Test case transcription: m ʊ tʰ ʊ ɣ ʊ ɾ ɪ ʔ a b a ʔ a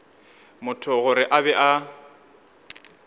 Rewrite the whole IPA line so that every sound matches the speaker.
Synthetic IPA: m ʊ tʰ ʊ ɣ ʊ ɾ ɪ ʔ a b ɛ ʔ a